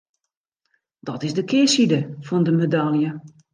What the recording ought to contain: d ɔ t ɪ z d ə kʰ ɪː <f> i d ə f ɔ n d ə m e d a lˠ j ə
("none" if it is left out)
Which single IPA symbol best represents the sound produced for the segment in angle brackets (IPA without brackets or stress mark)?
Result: s